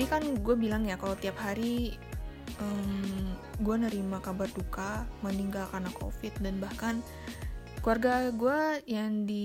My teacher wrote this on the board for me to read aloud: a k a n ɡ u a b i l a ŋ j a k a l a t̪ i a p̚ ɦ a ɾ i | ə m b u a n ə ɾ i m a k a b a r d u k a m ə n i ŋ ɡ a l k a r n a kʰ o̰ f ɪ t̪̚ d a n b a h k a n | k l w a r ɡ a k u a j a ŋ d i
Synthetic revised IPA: i k a n ɡ u a b i l a ŋ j a k a l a t̪ i a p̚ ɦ a ɾ i | ə m ɡ u a n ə ɾ i m a k a b a r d u k a m ə n i ŋ ɡ a l k a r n a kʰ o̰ f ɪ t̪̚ d a n b a h k a n | k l u a r ɡ a ɡ u a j a ŋ d i